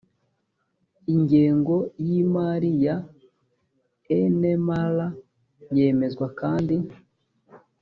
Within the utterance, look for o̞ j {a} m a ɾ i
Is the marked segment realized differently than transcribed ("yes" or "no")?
yes